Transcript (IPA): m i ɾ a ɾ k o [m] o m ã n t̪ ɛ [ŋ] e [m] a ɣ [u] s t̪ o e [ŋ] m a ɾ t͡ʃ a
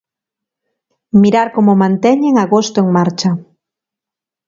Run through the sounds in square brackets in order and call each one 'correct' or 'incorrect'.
correct, incorrect: ɲ, incorrect: ŋ, incorrect: o, correct

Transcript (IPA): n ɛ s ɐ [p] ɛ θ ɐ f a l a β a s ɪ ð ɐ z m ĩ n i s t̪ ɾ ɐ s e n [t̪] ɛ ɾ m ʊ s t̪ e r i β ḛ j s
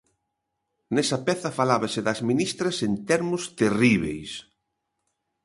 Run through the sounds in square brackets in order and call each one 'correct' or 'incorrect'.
correct, correct

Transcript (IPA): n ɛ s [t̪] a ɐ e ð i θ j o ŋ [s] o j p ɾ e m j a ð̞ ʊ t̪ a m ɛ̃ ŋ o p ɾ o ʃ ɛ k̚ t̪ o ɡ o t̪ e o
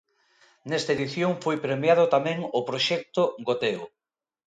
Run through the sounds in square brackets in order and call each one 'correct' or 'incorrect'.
correct, incorrect: f

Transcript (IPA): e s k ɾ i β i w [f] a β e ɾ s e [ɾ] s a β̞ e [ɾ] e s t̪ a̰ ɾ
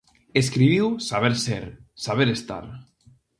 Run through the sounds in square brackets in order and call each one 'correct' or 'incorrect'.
incorrect: s, correct, correct

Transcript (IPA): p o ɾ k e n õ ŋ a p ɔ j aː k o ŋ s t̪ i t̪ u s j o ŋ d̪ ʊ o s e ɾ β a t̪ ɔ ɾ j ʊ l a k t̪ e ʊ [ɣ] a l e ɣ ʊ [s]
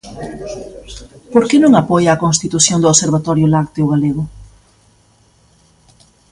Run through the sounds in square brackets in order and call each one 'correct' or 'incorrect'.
correct, incorrect: none

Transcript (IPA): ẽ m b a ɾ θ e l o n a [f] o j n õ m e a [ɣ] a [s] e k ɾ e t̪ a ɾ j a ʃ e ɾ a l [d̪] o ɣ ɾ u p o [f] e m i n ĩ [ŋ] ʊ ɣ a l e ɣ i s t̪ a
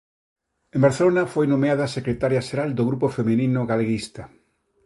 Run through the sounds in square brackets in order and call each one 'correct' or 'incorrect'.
correct, incorrect: ð, correct, correct, correct, incorrect: n

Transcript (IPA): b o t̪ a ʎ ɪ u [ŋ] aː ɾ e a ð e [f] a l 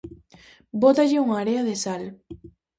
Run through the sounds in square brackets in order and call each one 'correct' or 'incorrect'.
correct, incorrect: s

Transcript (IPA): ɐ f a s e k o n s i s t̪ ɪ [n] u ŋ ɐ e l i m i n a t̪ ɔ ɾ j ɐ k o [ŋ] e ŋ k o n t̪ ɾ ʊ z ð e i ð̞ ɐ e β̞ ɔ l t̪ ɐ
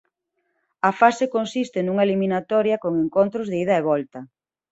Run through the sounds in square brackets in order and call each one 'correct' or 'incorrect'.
correct, correct

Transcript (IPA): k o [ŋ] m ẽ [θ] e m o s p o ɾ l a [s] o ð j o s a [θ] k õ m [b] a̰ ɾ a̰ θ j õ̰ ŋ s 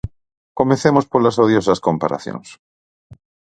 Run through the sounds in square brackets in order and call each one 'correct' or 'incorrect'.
incorrect: none, correct, correct, incorrect: s, incorrect: p

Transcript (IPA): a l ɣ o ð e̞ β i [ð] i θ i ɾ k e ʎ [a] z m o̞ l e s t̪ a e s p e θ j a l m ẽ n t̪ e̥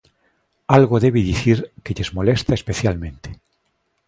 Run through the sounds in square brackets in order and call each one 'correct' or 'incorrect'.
correct, incorrect: e

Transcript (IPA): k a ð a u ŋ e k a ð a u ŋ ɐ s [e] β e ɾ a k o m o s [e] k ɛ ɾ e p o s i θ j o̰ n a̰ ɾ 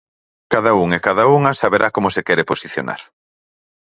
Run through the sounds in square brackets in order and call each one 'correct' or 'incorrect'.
incorrect: a, correct

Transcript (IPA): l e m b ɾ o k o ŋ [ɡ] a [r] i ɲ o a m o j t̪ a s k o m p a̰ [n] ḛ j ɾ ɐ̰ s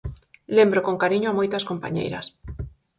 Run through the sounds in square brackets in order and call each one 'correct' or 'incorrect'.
incorrect: k, incorrect: ɾ, incorrect: ɲ

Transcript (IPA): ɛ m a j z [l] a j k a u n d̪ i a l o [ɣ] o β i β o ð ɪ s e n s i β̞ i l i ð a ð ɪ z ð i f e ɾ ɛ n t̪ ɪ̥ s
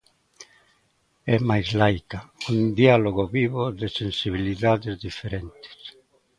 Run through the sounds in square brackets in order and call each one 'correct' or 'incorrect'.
correct, correct

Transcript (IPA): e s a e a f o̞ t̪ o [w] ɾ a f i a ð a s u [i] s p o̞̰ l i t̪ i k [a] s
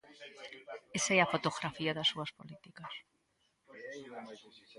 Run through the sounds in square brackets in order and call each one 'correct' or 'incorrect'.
incorrect: ɣ, incorrect: a, correct

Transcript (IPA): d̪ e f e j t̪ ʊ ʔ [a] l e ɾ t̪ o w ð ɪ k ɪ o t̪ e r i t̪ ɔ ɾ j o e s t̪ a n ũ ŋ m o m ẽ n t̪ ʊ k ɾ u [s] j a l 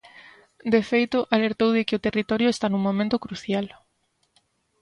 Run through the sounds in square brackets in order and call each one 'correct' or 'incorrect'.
correct, incorrect: θ

